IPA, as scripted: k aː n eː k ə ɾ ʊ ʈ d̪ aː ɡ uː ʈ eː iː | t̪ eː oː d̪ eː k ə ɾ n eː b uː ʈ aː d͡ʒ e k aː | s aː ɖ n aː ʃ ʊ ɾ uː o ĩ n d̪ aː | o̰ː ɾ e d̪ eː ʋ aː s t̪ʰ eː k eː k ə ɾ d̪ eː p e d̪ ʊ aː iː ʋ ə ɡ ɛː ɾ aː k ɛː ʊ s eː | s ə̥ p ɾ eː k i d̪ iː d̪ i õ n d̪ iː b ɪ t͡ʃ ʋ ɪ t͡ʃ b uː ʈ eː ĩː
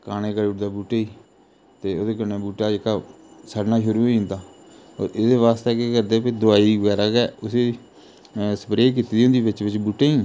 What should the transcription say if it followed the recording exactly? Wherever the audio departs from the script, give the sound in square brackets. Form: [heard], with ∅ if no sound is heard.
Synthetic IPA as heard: k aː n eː k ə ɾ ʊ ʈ d̪ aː [b] uː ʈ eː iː | t̪ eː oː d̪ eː k ə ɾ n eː b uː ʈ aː d͡ʒ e k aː | s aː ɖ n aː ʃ ʊ ɾ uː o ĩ n d̪ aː | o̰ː ɾ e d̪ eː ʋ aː s [t̪] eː k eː k ə ɾ d̪ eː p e d̪ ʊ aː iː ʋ ə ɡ ɛː ɾ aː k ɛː ʊ s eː | s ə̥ p ɾ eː k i [t̪] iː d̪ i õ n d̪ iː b ɪ t͡ʃ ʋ ɪ t͡ʃ b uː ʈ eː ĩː